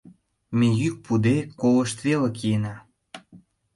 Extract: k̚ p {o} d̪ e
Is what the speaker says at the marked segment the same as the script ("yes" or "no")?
no